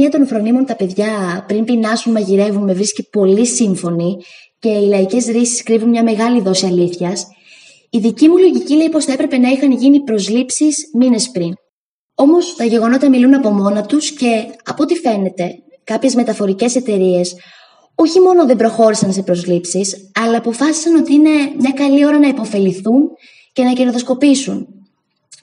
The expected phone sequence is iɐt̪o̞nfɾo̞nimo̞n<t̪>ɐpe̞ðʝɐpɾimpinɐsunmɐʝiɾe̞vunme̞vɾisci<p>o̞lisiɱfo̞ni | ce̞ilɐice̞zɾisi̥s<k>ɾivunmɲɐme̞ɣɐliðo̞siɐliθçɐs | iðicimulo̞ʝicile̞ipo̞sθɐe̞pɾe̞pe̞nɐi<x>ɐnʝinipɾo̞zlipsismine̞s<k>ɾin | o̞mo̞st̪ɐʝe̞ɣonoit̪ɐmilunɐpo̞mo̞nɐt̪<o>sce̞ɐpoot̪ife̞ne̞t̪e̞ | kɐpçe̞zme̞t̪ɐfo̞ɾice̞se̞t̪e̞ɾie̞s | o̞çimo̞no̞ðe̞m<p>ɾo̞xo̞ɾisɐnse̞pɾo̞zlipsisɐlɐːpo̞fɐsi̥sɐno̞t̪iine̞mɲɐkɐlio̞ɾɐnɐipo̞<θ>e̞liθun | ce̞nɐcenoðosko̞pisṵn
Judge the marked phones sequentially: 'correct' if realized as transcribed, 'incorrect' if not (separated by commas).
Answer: correct, correct, correct, correct, incorrect, incorrect, incorrect, incorrect